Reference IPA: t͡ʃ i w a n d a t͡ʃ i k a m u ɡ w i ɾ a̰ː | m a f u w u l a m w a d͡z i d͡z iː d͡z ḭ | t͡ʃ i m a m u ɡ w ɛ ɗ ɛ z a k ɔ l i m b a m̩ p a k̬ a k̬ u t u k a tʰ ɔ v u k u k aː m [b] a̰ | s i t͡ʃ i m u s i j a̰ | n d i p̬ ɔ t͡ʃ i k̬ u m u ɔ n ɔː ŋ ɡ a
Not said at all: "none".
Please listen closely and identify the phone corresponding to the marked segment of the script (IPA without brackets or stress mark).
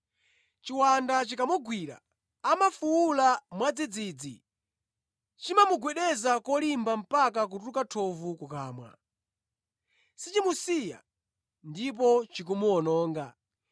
w